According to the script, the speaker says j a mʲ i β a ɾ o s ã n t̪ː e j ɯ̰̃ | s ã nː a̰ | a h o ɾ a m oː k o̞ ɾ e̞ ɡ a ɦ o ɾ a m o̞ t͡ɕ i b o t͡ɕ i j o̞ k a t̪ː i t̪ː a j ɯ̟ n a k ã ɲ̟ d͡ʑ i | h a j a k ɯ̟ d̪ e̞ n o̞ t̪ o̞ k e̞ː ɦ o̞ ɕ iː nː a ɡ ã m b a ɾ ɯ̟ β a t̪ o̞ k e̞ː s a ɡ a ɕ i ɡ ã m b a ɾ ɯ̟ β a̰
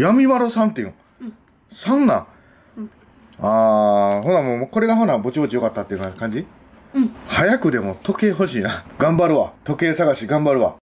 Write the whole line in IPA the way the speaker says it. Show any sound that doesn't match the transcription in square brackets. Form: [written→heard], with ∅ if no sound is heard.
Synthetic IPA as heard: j a mʲ i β a ɾ o s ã n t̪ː e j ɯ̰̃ | s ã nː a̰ | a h o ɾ a m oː k o̞ ɾ e̞ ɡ a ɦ o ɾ a [m→b] o̞ t͡ɕ i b o t͡ɕ i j o̞ k a t̪ː [i→a] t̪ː [a→e] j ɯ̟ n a k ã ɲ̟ d͡ʑ i | h a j a k ɯ̟ d̪ e̞ [n→m] o̞ t̪ o̞ k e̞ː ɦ o̞ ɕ iː [nː→n] a ɡ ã m b a ɾ ɯ̟ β a t̪ o̞ k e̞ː s a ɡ a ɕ i ɡ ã m b a ɾ ɯ̟ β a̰